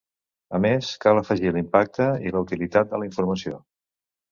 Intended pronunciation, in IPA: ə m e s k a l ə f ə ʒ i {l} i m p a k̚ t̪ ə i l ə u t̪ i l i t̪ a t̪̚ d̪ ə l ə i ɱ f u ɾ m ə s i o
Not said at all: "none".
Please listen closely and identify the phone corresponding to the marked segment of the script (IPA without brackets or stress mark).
l